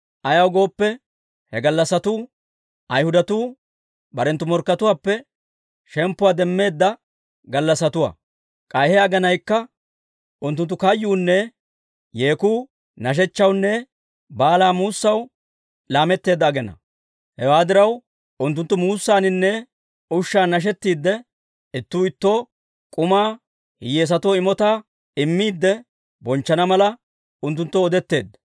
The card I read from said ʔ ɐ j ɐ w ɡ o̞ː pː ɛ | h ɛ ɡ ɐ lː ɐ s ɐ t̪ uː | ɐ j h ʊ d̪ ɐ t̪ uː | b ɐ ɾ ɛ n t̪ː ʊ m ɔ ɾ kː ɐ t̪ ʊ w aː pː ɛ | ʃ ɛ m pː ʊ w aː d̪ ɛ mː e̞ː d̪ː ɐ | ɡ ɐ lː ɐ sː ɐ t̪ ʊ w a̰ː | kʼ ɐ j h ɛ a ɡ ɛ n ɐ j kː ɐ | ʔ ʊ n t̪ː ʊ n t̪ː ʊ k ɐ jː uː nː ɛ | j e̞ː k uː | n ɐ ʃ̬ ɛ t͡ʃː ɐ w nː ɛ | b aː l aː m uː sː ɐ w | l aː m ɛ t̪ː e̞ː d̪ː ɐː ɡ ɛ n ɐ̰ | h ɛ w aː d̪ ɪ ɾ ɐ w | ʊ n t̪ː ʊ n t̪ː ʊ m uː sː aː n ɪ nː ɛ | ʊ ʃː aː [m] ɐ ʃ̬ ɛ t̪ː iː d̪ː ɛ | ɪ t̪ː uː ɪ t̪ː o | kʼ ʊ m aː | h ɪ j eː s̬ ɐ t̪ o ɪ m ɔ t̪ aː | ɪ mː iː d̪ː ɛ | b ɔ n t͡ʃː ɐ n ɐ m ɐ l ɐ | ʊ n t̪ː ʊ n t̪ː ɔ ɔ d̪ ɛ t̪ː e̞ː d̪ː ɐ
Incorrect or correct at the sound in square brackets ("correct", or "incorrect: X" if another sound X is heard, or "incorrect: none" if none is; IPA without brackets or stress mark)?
incorrect: n